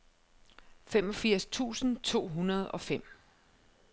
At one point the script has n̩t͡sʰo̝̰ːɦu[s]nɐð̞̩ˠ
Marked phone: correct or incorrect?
incorrect